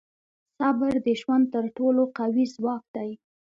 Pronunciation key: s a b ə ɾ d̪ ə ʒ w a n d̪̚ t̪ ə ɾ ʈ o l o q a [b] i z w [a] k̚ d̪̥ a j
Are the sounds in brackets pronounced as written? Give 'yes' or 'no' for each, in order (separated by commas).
no, no